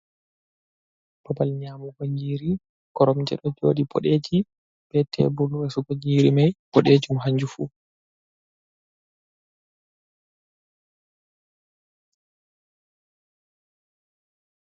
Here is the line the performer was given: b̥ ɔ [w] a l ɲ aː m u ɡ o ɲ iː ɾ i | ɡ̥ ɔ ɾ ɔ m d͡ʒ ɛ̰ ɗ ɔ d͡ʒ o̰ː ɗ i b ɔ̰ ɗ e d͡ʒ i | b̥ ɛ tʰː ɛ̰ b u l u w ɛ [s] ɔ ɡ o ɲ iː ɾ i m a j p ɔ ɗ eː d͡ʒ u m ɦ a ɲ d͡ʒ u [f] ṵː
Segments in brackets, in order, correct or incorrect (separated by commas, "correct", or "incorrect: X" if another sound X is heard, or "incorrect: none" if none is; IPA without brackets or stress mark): incorrect: b, correct, correct